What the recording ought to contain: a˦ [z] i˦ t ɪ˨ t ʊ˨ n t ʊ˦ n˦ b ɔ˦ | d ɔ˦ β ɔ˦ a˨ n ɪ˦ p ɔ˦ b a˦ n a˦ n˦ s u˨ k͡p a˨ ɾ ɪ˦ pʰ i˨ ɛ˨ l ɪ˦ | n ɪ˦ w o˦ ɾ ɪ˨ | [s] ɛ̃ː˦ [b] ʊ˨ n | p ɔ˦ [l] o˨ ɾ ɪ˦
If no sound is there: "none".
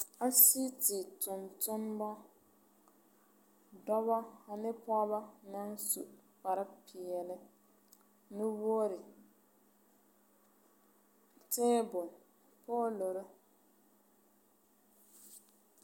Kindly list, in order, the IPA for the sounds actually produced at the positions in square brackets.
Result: s, t, b, l

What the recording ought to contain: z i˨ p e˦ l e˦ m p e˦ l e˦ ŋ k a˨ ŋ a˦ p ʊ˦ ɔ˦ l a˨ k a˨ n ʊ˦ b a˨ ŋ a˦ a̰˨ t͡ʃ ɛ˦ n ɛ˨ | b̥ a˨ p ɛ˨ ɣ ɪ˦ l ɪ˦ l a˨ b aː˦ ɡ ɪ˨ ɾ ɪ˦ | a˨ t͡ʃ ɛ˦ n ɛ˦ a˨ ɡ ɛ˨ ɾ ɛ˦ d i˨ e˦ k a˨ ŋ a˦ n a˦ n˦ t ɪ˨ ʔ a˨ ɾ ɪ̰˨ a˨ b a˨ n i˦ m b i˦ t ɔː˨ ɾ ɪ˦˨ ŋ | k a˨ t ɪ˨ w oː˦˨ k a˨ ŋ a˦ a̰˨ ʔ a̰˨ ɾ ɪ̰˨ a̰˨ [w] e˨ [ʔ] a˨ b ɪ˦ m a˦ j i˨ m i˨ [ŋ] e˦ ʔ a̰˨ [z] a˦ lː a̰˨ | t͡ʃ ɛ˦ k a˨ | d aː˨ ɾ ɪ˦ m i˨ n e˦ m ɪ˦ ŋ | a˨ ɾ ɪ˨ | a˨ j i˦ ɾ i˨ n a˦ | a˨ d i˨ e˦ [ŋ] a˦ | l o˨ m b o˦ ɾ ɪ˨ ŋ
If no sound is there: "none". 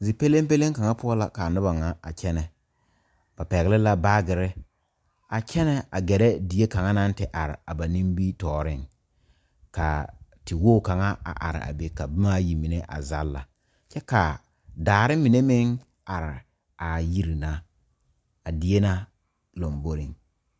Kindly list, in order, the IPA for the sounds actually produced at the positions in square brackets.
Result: b, k, n, z, n

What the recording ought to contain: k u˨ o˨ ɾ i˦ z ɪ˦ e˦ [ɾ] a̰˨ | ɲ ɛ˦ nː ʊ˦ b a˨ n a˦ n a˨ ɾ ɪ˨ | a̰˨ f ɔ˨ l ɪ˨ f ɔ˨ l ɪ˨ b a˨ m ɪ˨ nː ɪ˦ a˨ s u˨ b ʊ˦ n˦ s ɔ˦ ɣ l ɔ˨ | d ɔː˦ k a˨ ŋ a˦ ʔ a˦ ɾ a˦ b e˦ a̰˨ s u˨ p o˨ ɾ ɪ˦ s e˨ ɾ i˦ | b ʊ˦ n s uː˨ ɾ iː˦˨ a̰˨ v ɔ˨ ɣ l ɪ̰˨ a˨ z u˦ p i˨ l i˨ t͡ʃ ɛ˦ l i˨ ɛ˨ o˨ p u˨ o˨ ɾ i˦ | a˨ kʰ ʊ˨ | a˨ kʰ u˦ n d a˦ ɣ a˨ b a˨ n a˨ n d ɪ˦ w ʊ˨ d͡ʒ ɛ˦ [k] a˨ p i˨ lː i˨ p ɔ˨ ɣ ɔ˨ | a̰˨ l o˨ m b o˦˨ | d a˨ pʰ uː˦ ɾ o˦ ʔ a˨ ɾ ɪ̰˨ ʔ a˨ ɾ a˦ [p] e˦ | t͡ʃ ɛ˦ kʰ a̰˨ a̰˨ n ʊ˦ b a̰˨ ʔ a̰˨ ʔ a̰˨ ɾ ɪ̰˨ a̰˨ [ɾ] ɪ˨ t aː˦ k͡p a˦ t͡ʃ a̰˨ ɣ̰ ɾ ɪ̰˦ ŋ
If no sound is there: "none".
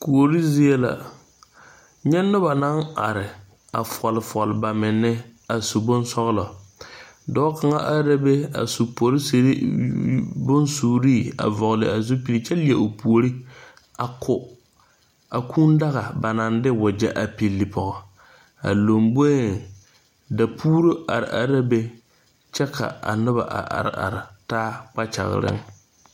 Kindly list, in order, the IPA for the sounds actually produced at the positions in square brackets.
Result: l, ʔ, b, ɾ

